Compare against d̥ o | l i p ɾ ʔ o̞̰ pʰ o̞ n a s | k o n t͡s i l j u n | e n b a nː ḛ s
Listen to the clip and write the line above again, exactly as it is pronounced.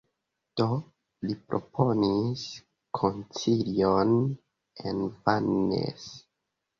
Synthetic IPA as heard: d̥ o | l i p ɾ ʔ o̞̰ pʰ o̞ n i s | kʰ o n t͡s i l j o n | e n v a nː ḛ s

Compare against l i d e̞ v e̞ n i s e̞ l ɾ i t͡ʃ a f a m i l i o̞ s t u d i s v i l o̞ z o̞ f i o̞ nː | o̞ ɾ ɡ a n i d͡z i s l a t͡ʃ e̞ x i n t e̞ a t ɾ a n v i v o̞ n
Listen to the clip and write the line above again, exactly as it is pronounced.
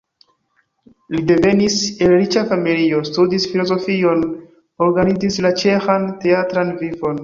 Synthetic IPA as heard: l i d e̞ v e̞ n i s e̞ l ɾ i t͡ʃ a f a m i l i o̞ s t u d i s f i l o̞ z o̞ f i o̞ n | o̞ ɾ ɡ a n i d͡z i s l a t͡ʃ e̞ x a n t e̞ a t ɾ a n v i v o̞ n

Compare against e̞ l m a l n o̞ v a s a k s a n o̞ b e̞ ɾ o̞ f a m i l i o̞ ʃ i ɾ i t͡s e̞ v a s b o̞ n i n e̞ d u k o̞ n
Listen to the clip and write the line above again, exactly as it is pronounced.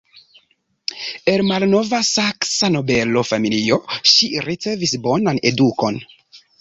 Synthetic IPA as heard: e̞ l m a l n o̞ v a s a k s a n o̞ b e̞ l o̞ f a m i l i o̞ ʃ i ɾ i t͡s e̞ v i s b o̞ n a n e̞ d u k o̞ n

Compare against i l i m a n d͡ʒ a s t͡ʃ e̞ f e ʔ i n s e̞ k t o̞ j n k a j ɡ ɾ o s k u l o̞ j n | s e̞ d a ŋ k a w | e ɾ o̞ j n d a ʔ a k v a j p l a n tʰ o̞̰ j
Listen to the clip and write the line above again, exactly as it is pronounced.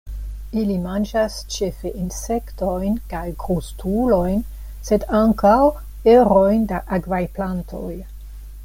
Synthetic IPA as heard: i l i m a n d͡ʒ a s t͡ʃ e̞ f e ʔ i n s e̞ k t o̞ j n k a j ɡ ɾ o s t u l o̞ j n | s e̞ d a ŋ k a w | e ɾ o̞ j n d a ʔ a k v a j p l a n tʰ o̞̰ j

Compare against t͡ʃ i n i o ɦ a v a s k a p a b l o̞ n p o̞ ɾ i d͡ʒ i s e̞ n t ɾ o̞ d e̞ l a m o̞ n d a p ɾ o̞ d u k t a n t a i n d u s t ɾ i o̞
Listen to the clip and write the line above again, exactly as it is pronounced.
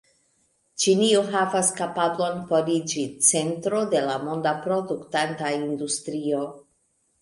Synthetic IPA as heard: t͡ʃ i n i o ɦ a v a s k a p a b l o̞ n p o̞ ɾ i d͡ʒ i t͡s e̞ n t ɾ o̞ d e̞ l a m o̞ n d a p ɾ o̞ d u k t a n t a i n d u s t ɾ i o̞

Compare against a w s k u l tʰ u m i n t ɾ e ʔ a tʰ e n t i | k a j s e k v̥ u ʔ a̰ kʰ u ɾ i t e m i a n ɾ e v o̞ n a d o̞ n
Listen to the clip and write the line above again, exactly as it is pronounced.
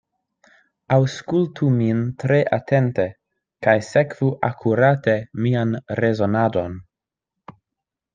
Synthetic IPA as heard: a w s k u l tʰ u m i n t ɾ e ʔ a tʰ e n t e | k a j s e k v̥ u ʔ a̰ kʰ u ɾ a t e m i a n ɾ e z o̞ n a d o̞ n

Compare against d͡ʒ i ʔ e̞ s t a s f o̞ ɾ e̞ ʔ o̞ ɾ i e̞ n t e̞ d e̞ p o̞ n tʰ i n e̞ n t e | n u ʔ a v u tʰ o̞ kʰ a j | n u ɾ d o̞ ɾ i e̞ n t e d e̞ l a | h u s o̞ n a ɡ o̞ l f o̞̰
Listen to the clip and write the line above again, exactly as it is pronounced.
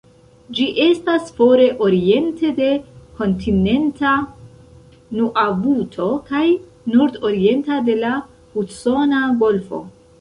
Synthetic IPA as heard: d͡ʒ i ʔ e̞ s t a s f o̞ ɾ e̞ ʔ o̞ ɾ i e̞ n t e̞ d e̞ k o̞ n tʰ i n e̞ n t a | n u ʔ a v u tʰ o̞ k a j | n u ɾ d o̞ ɾ i e̞ n t a d e̞ l a | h u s o̞ n a ɡ o̞ l f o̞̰

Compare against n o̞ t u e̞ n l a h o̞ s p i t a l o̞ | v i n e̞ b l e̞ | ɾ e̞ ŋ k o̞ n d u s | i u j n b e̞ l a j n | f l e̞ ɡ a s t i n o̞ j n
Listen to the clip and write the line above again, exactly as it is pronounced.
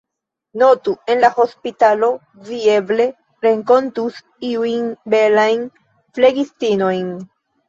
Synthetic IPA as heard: n o̞ t u e̞ n l a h o̞ s p i t a l o̞ | v i e̞ b l e̞ | ɾ e̞ ŋ k o̞ n t u s | i u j n b e̞ l a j n | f l e̞ ɡ i s t i n o̞ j n

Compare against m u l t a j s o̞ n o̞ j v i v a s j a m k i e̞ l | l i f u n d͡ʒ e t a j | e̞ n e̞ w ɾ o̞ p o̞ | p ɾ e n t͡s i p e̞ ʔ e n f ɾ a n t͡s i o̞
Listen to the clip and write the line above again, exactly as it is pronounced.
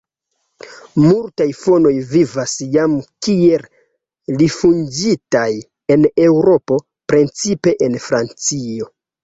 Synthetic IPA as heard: m u l t a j f o̞ n o̞ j v i v a s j a m k i e̞ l | l i f u n d͡ʒ i t a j | e̞ n e̞ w ɾ o̞ p o̞ | p ɾ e n t͡s i p e̞ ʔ e n f ɾ a n t͡s i o̞

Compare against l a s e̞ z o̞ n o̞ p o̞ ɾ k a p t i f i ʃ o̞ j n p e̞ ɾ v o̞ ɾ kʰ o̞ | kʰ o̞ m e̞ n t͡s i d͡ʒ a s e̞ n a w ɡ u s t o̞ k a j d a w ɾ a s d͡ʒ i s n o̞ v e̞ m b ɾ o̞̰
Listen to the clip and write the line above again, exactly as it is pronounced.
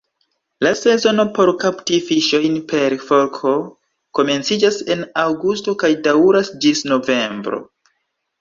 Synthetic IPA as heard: l a s e̞ z o̞ n o̞ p o̞ ɾ k a p t i f i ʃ o̞ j n p e̞ ɾ f o̞ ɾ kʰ o̞ | k o̞ m e̞ n t͡s i d͡ʒ a s e̞ n a w ɡ u s t o̞ k a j d a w ɾ a s d͡ʒ i s n o̞ v e̞ m b ɾ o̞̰

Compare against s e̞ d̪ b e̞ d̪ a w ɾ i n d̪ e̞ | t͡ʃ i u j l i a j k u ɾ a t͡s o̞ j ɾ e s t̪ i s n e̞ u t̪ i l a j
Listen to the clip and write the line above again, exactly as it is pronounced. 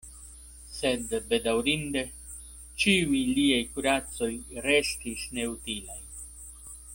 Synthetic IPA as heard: s e̞ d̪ b e̞ d̪ a w ɾ i n d̪ e̞ | t͡ʃ i u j l i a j k u ɾ a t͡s o̞ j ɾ e s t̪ i s n e̞ u t̪ i l a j

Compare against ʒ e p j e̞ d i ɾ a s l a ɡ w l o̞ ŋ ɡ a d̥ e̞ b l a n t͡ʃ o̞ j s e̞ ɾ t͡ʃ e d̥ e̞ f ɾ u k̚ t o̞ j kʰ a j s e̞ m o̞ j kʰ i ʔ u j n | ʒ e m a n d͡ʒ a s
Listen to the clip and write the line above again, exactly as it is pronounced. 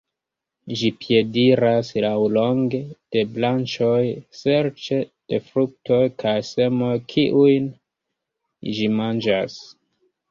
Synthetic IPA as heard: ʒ i p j e̞ d i ɾ a s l a w l o̞ ŋ ɡ e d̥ e̞ b l a n t͡ʃ o̞ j s e̞ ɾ t͡ʃ e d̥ e̞ f ɾ u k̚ t o̞ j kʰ a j s e̞ m o̞ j kʰ i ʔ u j n | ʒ i m a n d͡ʒ a s

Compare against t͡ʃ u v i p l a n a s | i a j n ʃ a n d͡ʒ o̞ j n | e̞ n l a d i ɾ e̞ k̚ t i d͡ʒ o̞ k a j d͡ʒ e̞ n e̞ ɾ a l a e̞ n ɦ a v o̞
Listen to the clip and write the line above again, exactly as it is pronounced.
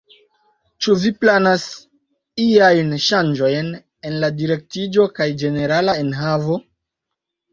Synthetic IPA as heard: t͡ʃ u v i p l a n a s | i a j n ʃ a n d͡ʒ o̞ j n | e̞ n l a d i ɾ e̞ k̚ t i d͡ʒ o̞ k a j d͡ʒ e̞ n e̞ ɾ a l a e̞ n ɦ a v o̞

